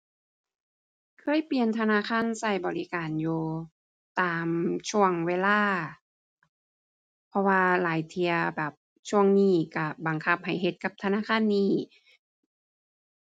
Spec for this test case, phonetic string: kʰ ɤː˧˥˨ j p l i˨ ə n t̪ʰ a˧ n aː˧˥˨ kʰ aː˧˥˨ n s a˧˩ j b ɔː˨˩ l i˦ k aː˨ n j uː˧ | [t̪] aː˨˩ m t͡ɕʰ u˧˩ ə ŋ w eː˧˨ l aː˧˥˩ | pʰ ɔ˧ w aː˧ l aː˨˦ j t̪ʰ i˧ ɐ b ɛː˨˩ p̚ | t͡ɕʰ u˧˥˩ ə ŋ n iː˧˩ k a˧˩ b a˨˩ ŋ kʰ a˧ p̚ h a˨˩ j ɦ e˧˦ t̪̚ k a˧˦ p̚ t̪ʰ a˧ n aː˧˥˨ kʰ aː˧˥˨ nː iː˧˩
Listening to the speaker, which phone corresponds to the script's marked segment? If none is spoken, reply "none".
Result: t̪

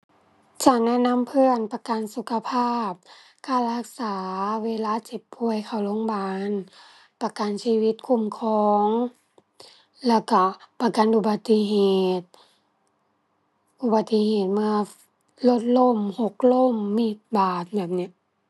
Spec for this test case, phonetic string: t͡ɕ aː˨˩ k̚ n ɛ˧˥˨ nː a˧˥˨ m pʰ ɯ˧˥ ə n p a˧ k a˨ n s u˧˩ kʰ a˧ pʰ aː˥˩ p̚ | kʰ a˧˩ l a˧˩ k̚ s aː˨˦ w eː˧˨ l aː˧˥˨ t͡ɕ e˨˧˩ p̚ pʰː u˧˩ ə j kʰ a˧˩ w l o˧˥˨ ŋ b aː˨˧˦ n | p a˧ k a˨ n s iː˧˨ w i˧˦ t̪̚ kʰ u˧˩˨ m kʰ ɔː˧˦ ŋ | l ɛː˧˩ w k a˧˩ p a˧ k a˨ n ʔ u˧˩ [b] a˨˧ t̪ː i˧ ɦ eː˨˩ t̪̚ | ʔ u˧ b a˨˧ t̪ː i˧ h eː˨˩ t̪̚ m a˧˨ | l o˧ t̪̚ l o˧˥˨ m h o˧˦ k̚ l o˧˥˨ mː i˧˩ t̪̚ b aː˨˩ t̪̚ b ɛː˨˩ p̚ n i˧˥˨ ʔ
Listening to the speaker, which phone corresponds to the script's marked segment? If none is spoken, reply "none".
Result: b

